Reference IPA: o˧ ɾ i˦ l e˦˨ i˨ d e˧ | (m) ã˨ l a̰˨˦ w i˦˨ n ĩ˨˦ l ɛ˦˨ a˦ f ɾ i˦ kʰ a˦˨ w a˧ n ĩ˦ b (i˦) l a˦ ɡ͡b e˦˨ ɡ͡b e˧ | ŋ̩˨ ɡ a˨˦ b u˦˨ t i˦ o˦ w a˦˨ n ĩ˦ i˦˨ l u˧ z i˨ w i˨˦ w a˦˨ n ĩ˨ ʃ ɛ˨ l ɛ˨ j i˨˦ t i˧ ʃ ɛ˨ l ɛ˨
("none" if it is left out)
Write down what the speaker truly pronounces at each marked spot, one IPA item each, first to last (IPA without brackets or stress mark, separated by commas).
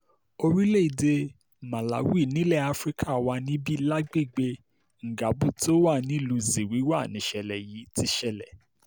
m, i˦